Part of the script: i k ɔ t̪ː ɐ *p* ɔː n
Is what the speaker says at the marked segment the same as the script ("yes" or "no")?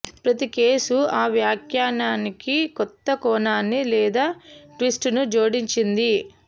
no